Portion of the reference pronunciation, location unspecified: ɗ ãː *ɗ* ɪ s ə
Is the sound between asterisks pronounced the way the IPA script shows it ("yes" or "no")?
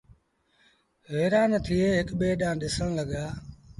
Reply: yes